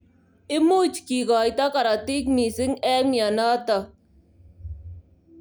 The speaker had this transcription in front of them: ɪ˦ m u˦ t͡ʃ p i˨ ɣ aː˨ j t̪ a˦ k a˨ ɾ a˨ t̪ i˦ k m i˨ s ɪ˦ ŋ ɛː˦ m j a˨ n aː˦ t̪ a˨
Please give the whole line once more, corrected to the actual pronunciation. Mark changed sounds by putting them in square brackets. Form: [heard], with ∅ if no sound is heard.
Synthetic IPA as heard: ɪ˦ m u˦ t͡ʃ [k] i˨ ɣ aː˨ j t̪ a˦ k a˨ ɾ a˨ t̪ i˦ k m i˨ s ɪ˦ ŋ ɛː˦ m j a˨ n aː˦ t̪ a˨